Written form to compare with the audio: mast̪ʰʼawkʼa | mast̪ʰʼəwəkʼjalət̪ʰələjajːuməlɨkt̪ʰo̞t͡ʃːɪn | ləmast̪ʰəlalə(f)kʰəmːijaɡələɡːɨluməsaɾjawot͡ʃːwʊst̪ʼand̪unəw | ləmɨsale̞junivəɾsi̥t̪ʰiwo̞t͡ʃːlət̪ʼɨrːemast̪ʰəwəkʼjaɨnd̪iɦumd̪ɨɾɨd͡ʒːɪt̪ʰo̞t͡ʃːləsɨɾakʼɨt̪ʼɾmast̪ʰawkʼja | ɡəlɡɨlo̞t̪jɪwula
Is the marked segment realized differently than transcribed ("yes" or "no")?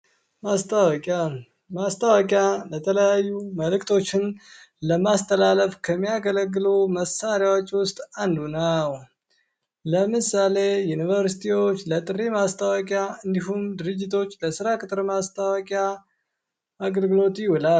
no